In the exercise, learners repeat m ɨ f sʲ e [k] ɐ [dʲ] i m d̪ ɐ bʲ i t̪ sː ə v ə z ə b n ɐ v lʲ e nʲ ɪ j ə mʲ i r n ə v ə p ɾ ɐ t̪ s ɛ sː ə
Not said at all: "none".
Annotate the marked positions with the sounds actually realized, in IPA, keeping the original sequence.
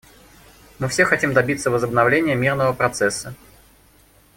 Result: x, tʲ

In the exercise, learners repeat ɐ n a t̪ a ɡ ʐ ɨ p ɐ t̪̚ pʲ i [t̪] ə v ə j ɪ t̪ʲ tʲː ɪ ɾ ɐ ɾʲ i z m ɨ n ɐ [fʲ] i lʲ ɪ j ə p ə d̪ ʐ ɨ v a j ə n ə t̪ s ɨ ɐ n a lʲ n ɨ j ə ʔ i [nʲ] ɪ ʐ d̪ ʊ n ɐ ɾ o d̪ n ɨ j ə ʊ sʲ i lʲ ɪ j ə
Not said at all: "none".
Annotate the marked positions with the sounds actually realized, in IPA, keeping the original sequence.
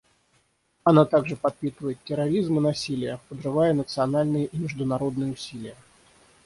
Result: t̪, sʲ, mʲ

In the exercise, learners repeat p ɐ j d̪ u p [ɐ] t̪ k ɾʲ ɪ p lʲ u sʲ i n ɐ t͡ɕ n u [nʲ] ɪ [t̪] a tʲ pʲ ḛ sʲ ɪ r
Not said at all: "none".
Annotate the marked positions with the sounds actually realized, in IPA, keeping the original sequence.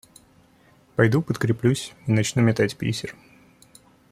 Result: ə, mʲ, t̪

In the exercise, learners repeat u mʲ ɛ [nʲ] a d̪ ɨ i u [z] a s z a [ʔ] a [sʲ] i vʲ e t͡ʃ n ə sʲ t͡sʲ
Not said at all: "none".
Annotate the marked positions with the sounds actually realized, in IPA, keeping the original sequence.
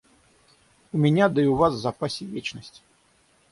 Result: nʲ, v, p, sʲ

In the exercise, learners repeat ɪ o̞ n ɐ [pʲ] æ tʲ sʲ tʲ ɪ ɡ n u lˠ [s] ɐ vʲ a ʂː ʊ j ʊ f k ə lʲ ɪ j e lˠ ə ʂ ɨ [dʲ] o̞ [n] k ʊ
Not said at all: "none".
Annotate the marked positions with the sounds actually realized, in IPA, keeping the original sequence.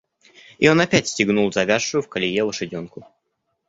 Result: pʲ, z, dʲ, n

